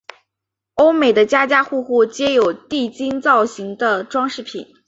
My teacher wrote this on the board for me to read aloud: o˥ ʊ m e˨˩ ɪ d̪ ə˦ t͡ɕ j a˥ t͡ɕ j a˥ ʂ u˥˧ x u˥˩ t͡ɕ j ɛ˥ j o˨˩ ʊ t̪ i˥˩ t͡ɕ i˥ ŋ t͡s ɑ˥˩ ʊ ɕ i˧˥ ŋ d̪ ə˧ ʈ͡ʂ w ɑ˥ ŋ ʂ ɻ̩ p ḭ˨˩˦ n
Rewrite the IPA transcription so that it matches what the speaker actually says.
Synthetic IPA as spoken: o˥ ʊ m e˨˩ ɪ d̪ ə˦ t͡ɕ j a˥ t͡ɕ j a˥ x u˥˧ x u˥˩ t͡ɕ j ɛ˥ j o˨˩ ʊ t̪ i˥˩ t͡ɕ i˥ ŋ t͡s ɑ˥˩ ʊ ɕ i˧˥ ŋ d̪ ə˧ ʈ͡ʂ w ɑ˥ ŋ ʂ ɻ̩ pʰ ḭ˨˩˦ n

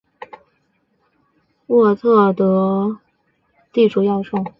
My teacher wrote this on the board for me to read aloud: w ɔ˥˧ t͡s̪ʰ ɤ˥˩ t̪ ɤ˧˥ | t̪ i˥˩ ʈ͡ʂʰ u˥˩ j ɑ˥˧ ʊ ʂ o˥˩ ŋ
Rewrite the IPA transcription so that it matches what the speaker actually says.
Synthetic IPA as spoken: w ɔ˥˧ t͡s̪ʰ ɤ˥˩ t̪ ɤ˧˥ | t̪ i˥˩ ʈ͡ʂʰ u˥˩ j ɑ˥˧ ʊ ʂ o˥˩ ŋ

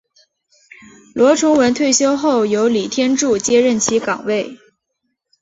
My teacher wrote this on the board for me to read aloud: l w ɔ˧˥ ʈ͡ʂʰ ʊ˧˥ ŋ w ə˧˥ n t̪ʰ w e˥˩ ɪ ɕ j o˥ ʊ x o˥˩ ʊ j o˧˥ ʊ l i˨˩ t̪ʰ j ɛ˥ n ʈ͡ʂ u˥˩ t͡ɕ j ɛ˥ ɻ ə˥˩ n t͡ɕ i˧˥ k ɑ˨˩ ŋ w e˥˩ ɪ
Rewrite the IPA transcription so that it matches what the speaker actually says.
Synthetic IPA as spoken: l w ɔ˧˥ ʈ͡ʂʰ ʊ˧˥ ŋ w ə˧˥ n t̪ʰ w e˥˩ ɪ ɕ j o˥ ʊ x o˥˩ ʊ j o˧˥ ʊ l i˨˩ t̪ʰ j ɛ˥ n ʈ͡ʂ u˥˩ t͡ɕ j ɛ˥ ɻ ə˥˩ n t͡ɕʰ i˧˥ k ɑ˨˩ ŋ w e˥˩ ɪ

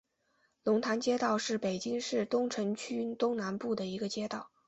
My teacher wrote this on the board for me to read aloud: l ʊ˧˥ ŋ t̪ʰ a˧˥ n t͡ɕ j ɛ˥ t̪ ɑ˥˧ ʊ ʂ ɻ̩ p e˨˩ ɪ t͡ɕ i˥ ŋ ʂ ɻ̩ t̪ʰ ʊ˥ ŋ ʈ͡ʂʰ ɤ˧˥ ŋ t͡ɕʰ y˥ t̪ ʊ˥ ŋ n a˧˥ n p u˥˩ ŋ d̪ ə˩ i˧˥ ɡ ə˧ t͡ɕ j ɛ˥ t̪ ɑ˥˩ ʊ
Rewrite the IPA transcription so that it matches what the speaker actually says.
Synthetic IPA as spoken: l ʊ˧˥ ŋ t̪ʰ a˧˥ n t͡ɕ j ɛ˥ t̪ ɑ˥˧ ʊ ʂ ɻ̩ p e˨˩ ɪ t͡ɕ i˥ ŋ ʂ ɻ̩ t̪ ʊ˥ ŋ ʈ͡ʂʰ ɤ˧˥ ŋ t͡ɕʰ y˥ t̪ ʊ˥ ŋ n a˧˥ n p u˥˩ d̪ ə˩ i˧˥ ɡ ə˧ t͡ɕ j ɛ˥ t̪ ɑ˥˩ ʊ

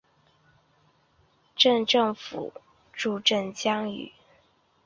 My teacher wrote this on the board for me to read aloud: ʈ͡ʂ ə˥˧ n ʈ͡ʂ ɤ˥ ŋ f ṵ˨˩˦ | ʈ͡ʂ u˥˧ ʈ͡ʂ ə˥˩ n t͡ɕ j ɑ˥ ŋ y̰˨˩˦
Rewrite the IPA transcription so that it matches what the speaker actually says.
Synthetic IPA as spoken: ʈ͡ʂ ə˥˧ n ʈ͡ʂ ɤ˥˩ ŋ f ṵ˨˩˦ | ʈ͡ʂ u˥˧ ʈ͡ʂ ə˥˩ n t͡ɕ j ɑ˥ ŋ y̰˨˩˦

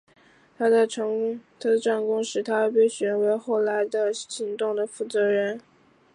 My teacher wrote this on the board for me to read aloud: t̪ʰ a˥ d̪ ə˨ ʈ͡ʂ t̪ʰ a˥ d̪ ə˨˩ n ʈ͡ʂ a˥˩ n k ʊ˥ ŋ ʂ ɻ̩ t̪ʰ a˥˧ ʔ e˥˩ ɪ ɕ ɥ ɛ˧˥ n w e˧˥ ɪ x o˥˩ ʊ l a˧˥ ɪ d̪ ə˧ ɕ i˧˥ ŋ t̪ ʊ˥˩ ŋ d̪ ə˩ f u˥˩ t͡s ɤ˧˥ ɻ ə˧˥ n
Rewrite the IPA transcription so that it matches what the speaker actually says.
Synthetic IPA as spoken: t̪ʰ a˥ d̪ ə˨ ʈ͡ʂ t̪ʰ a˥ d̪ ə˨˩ ʈ͡ʂ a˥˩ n k ʊ˥ ŋ ʂ ɻ̩ t̪ʰ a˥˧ p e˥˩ ɪ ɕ ɥ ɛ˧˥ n w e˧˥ ɪ x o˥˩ ʊ l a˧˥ ɪ d̪ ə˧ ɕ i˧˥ ŋ t̪ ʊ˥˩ ŋ d̪ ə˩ f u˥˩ t͡s ɤ˧˥ ɻ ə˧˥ n

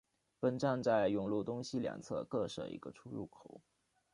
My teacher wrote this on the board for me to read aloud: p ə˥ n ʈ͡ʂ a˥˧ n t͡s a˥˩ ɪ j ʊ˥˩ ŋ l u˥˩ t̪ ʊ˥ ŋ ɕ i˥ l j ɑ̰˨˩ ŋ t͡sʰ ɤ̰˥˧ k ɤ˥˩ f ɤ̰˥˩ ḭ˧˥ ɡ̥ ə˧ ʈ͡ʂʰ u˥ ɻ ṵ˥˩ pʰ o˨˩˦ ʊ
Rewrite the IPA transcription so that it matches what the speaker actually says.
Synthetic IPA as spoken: p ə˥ n ʈ͡ʂ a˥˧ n t͡s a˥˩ ɪ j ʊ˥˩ ŋ l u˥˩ t̪ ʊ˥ ŋ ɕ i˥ l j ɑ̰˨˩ ŋ t͡sʰ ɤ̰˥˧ k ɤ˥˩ ʂ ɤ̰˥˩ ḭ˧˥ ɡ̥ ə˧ ʈ͡ʂʰ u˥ ɻ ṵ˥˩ kʰ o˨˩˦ ʊ

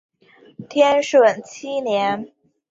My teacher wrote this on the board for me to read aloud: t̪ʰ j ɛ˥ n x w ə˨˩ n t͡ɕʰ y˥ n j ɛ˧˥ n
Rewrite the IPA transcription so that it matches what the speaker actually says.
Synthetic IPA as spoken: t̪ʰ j ɛ˥ n ʂ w ə˨˩ n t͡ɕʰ i˥ n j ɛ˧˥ n

